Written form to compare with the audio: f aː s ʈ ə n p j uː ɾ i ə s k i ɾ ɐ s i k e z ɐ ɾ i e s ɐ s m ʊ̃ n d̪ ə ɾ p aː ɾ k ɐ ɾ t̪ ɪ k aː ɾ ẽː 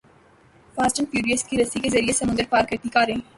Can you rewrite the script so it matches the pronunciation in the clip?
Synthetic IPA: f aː s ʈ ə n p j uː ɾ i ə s k i ɾ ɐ s i k e z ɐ ɾ i e s ɐ m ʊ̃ n d̪ ə ɾ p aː ɾ k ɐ ɾ t̪ i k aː ɾ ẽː